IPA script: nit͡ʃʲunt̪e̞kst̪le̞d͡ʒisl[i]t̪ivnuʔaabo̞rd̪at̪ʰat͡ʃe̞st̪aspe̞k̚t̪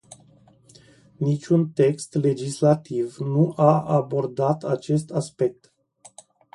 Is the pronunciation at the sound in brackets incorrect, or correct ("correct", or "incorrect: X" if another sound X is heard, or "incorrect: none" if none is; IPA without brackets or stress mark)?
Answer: incorrect: a